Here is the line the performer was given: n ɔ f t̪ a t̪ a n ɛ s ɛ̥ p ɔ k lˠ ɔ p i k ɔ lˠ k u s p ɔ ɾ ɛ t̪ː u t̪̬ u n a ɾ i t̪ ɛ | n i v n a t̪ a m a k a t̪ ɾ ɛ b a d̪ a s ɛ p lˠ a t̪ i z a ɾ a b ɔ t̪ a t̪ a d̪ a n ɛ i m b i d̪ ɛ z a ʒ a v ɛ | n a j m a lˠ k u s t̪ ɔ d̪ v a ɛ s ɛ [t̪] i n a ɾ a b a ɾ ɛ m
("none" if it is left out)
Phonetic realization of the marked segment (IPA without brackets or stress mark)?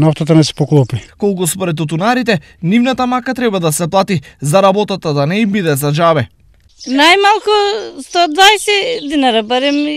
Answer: d̪